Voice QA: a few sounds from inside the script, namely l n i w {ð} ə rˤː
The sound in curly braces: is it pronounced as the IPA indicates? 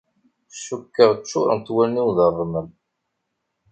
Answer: yes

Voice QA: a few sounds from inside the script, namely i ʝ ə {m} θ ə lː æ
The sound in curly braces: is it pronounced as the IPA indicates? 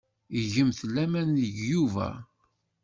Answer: yes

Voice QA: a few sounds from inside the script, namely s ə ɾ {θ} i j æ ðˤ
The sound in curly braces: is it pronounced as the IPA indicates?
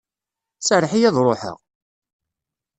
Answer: no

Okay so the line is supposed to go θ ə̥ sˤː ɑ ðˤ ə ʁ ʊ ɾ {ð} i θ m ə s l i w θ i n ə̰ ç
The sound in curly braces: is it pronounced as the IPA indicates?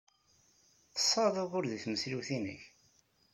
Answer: yes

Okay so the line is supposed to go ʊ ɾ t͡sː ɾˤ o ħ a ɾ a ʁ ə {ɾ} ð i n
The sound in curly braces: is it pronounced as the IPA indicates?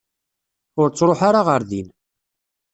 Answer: yes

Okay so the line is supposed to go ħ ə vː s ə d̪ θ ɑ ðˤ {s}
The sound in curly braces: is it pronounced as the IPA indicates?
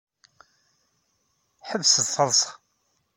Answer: yes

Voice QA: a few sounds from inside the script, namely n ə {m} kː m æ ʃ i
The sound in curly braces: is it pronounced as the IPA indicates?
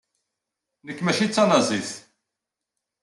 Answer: no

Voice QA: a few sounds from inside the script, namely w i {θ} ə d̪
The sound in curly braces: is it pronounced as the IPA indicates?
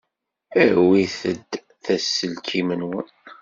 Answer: yes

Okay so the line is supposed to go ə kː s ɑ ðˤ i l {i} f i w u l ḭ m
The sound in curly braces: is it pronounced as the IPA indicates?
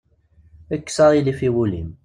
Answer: yes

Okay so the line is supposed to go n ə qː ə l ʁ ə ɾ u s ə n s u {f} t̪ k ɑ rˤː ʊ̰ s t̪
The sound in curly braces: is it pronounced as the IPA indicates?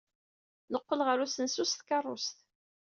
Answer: no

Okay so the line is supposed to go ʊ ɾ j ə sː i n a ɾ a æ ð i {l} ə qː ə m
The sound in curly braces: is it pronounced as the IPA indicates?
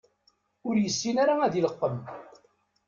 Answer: yes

